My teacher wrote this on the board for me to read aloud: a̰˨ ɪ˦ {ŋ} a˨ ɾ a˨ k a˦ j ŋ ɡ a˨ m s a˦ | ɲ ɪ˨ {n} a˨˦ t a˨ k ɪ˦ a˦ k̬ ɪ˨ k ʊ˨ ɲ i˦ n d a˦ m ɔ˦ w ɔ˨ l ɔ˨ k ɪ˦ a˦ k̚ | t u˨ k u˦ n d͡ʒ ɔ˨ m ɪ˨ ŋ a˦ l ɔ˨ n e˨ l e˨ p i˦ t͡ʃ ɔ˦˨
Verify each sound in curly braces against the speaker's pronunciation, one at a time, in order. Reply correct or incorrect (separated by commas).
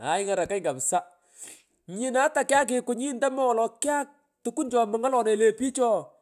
correct, correct